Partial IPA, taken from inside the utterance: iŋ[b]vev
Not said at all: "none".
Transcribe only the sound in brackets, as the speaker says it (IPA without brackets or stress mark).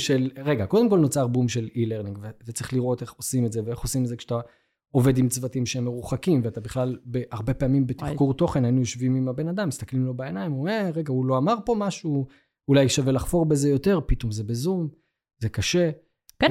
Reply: ɡ